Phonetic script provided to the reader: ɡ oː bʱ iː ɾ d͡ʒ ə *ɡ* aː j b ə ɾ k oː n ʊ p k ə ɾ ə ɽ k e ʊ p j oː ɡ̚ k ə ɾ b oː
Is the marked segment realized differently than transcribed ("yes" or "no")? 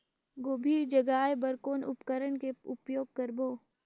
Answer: no